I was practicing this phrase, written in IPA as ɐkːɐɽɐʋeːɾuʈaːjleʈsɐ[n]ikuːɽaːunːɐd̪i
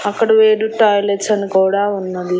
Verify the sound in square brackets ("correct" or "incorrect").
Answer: correct